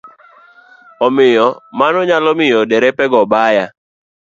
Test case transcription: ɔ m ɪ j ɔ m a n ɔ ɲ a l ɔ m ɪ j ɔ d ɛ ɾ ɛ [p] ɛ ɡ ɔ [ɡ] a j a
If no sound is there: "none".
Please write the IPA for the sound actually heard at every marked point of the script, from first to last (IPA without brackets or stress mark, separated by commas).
p, b